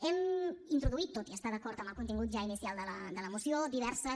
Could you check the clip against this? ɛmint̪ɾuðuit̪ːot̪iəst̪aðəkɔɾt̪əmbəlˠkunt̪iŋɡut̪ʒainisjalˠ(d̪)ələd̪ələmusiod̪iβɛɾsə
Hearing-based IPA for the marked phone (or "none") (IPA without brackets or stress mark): d̪